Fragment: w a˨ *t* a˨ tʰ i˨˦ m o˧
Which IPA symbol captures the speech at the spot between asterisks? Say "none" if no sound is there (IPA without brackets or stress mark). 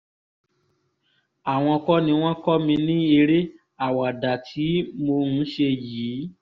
d